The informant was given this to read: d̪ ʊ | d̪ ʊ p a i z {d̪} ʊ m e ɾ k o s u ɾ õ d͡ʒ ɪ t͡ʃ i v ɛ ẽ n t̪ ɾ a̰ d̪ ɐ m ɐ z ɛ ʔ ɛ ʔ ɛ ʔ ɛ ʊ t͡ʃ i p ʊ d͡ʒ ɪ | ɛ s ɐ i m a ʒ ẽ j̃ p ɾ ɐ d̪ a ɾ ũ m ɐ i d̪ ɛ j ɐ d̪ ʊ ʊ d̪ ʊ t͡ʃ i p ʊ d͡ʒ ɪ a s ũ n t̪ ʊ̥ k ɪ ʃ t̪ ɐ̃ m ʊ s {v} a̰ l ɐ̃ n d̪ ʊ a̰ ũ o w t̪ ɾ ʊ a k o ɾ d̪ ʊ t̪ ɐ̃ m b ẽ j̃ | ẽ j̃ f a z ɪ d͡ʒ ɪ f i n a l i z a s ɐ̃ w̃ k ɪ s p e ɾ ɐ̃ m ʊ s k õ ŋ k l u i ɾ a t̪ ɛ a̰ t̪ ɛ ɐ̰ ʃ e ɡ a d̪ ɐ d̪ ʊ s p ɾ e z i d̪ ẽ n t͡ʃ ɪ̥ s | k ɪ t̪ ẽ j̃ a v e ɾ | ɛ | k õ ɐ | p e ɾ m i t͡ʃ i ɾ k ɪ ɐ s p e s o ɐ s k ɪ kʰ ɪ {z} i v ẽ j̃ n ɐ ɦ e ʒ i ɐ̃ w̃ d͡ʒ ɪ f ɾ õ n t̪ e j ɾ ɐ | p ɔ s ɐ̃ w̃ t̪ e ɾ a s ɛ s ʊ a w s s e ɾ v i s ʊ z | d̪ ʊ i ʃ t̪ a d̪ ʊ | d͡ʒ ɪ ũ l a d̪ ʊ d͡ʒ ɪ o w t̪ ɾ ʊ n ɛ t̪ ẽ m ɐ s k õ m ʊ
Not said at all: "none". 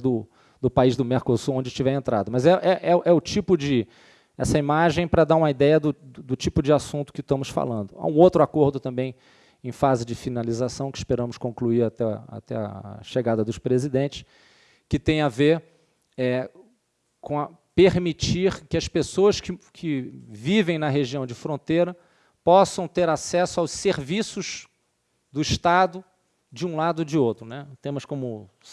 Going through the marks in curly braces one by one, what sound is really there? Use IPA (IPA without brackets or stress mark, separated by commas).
d̪, f, v